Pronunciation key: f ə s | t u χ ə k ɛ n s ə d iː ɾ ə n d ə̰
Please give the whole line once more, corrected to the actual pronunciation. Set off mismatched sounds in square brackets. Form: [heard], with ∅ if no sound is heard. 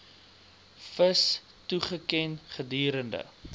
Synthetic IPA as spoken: f ə s | t u χ ə k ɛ n [χ] ə d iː ɾ ə n d ə̰